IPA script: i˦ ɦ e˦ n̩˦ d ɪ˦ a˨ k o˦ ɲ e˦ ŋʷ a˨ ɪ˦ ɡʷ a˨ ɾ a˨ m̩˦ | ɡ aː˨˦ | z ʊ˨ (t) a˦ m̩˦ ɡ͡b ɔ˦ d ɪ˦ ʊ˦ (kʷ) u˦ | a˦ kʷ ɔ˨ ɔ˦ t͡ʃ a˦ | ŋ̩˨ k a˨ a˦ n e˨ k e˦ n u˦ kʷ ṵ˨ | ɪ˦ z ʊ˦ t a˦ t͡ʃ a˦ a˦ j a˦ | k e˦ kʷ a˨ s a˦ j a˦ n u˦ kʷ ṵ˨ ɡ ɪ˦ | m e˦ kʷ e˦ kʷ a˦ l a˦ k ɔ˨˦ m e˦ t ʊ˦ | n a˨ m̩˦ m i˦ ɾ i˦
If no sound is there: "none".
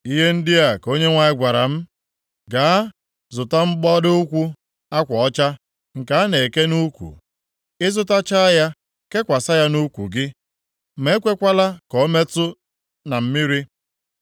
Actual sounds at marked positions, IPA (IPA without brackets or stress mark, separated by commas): t, kʷ